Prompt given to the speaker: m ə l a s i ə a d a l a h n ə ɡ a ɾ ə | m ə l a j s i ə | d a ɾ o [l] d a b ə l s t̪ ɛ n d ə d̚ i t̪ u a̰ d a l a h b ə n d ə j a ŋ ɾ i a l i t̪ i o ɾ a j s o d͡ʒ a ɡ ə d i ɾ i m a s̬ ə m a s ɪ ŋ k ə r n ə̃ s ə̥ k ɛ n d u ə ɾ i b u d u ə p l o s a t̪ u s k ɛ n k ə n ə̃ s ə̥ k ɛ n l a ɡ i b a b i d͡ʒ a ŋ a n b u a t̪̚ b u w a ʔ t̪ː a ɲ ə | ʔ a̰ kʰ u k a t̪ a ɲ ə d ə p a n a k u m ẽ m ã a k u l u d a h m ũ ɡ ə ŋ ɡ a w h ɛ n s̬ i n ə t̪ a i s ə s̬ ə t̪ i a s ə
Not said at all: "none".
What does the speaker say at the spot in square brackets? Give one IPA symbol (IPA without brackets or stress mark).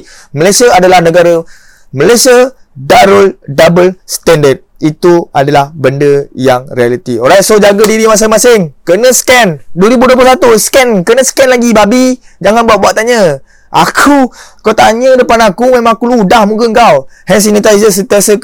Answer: l